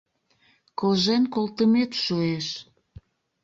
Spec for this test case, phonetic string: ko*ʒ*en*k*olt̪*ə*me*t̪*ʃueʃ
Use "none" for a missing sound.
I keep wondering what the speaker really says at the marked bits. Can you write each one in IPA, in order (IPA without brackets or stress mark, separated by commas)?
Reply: ʒ, k, ə, t̪